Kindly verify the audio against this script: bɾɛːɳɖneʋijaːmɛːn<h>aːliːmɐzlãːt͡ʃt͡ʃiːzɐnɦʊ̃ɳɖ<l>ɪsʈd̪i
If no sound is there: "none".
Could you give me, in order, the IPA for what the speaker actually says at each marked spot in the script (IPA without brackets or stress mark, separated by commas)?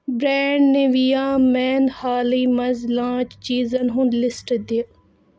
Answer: h, l